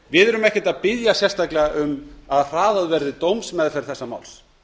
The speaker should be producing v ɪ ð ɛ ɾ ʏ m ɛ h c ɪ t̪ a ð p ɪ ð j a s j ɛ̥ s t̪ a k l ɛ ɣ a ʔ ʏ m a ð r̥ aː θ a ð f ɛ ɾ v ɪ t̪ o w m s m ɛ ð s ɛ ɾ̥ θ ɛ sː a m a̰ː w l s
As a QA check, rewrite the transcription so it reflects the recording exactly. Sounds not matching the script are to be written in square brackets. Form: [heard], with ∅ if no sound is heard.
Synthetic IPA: v ɪ ð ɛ ɾ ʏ m ɛ h c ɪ t̪ a ð p ɪ ð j a s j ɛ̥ s t̪ a k l ɛ ɣ a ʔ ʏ m a ð r̥ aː [ð] a ð [v] ɛ ɾ [ð] ɪ t̪ o w m s m ɛ ð [f] ɛ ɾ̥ θ ɛ sː a m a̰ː w l s

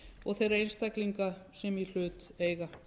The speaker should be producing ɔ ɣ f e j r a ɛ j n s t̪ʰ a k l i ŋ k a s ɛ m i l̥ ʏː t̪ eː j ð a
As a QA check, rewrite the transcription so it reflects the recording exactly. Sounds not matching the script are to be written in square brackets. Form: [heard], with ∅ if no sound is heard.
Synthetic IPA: ɔ ɣ [θ] e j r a [e] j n s [t̪] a k l i ŋ k a s ɛ m i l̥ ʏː t̪ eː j [ɣ] a

